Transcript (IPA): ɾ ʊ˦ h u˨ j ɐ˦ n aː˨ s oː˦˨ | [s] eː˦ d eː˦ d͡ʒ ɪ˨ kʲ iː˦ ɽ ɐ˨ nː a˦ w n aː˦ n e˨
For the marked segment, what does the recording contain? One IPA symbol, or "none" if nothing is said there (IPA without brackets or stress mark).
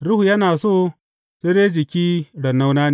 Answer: s